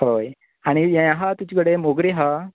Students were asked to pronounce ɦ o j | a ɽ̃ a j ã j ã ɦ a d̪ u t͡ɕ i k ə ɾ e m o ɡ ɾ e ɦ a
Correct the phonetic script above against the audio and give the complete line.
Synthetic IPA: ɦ o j | a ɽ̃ i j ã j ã ɦ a t̪ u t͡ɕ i k ə ɽ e m o ɡ ɾ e ɦ a